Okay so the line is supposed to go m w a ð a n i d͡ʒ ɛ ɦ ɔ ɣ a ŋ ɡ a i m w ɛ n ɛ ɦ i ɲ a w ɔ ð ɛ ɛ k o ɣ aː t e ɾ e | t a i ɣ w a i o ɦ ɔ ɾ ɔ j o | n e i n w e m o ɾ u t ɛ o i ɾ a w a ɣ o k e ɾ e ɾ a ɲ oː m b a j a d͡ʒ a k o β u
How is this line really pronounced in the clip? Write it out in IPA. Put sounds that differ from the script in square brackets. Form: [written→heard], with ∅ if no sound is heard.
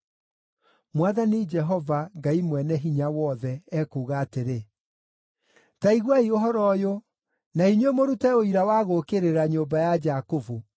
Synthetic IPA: m w a ð a n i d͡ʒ ɛ ɦ ɔ [ɣ→v] a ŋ ɡ a i m w ɛ n ɛ ɦ i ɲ a w ɔ ð ɛ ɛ k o ɣ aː t e ɾ e | t a i ɣ w a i o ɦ ɔ ɾ ɔ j o | n [e→a] i [n→ɲ] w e m o ɾ u t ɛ o i ɾ a w a ɣ o k e ɾ e ɾ a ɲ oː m b a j a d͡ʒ a k o [β→v] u